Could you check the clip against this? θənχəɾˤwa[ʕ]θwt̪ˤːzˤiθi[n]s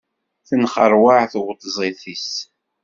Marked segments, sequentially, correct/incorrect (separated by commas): correct, incorrect